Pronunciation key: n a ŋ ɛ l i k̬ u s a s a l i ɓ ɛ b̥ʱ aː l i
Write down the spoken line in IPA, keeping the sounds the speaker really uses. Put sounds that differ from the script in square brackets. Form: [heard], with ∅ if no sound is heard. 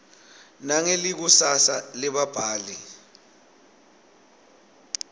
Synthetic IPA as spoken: n a ŋ [e] l i k̬ u s a s a l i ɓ [a] b̥ʱ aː l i